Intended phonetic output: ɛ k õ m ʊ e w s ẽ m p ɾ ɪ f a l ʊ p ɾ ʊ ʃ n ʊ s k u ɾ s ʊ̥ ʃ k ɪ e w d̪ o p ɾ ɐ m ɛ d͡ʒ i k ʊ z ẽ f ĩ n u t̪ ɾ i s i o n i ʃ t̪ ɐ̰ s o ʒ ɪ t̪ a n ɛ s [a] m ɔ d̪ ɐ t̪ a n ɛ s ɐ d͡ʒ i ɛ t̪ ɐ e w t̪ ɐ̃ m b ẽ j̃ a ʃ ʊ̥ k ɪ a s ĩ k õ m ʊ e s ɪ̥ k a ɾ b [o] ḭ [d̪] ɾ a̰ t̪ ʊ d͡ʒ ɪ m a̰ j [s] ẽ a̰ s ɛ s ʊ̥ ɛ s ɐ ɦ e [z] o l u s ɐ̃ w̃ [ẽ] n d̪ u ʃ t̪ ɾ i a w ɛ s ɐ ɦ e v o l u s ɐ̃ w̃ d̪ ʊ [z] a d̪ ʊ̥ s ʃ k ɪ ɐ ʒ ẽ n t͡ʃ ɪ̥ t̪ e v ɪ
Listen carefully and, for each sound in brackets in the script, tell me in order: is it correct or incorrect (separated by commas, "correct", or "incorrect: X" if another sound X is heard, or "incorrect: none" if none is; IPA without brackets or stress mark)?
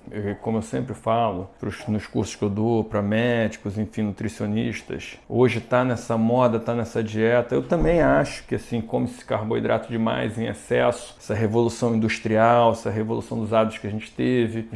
incorrect: ɐ, correct, correct, incorrect: z, incorrect: v, incorrect: ĩ, correct